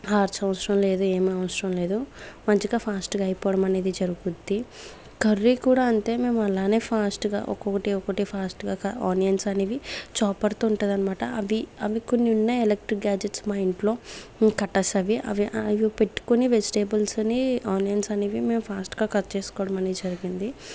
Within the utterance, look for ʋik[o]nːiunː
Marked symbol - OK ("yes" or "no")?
yes